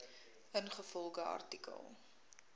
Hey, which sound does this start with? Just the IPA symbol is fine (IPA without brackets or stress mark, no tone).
ə